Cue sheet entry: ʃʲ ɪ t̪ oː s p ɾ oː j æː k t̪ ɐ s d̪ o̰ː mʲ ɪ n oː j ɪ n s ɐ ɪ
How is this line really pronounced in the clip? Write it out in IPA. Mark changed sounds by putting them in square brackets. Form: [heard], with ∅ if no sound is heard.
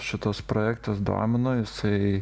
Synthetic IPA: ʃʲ ɪ t̪ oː s p ɾ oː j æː k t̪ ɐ s d̪ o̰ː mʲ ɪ n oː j ɪ [∅] s ɐ ɪ